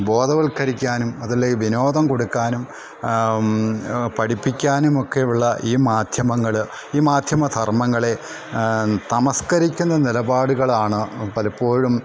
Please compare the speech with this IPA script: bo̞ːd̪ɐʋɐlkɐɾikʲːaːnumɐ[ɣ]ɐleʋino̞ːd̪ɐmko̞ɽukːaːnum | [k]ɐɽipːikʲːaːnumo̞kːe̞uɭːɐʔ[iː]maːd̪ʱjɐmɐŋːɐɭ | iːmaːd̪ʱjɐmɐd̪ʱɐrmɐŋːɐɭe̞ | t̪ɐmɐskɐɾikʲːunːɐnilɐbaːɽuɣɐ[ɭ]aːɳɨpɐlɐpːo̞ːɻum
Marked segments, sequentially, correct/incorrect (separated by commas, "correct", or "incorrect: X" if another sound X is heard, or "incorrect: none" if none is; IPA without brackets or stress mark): incorrect: ð, incorrect: p, correct, correct